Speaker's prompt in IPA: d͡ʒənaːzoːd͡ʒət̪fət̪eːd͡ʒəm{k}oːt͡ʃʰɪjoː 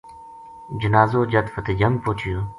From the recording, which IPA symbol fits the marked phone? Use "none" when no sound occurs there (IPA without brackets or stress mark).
p